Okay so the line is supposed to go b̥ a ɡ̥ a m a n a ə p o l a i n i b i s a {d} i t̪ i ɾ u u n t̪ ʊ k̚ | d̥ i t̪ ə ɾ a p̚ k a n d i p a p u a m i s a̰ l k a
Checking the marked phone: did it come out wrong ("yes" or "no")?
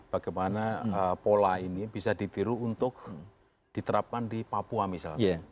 no